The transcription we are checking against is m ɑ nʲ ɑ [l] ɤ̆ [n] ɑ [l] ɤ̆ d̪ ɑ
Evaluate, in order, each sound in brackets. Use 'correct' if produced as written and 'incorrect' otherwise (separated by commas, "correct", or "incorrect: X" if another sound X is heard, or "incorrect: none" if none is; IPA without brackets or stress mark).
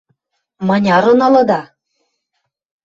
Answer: incorrect: ɾ, correct, correct